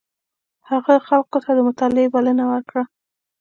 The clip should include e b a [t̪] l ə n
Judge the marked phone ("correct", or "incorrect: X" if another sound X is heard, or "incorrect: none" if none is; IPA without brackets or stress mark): incorrect: none